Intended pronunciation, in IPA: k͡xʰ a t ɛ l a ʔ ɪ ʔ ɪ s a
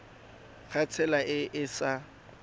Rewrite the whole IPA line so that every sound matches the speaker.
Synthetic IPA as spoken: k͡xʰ a t͡sʰ ɛ l a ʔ ɪ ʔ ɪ s a